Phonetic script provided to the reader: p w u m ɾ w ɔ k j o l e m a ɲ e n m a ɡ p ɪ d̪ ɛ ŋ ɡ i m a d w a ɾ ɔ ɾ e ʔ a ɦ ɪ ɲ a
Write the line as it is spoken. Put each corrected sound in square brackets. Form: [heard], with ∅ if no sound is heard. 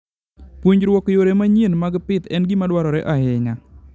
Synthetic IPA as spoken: p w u [ɲ] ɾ w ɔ k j o [ɾ] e m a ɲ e n m a ɡ p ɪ [t̪] ɛ [n] ɡ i m a d w a ɾ ɔ ɾ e ʔ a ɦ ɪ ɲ a